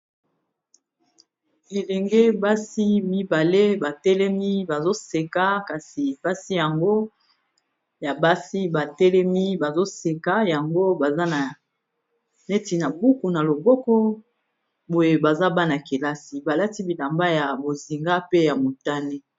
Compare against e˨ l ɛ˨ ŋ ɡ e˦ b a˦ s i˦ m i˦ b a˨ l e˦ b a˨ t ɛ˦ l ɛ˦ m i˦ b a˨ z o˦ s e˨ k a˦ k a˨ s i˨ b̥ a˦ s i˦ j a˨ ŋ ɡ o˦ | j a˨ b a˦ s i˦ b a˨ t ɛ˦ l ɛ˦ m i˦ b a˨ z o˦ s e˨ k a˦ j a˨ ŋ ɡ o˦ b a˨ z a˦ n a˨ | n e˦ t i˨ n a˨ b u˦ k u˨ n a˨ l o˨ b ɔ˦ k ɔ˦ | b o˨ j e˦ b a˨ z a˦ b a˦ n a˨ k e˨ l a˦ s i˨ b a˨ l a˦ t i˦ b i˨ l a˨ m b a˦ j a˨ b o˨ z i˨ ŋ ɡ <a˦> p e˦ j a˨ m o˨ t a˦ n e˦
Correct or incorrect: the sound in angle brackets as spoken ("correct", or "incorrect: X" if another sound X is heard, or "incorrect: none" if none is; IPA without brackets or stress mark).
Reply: correct